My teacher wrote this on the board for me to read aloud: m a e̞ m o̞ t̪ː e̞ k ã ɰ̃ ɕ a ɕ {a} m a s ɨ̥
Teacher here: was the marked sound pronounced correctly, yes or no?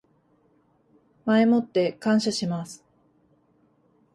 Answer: no